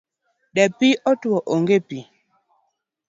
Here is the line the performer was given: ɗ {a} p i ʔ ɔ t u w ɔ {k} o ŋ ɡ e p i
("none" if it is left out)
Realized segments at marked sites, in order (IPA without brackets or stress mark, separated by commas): ɛ, ʔ